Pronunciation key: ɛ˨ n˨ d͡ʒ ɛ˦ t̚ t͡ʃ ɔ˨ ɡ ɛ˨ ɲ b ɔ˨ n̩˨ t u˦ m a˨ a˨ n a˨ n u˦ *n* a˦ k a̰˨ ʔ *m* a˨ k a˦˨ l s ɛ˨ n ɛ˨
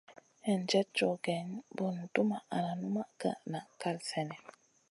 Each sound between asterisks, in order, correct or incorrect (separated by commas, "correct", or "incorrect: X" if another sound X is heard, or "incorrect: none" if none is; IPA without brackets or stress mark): incorrect: m, incorrect: n